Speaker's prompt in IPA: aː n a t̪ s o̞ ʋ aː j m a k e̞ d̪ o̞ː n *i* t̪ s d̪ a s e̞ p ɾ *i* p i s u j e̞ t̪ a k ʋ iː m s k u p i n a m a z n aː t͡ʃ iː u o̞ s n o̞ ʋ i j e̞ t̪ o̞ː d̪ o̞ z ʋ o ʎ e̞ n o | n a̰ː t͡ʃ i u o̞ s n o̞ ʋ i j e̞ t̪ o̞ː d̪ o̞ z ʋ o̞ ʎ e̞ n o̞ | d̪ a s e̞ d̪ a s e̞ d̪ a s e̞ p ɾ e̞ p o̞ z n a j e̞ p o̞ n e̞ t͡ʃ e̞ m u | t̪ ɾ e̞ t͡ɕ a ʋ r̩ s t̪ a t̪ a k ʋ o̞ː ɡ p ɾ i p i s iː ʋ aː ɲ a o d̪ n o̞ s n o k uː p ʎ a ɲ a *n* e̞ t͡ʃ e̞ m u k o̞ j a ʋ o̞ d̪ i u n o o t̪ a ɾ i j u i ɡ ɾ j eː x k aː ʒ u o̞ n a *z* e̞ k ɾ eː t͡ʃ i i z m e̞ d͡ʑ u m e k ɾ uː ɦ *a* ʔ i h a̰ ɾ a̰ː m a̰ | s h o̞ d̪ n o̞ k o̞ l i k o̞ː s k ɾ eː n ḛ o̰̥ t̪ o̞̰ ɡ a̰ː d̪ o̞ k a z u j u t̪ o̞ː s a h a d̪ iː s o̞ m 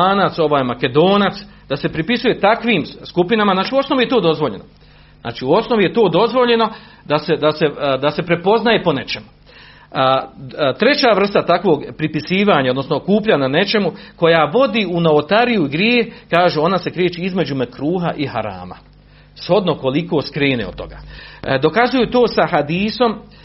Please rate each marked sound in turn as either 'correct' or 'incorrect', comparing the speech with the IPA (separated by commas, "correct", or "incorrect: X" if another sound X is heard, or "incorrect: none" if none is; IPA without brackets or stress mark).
incorrect: a, correct, correct, incorrect: s, correct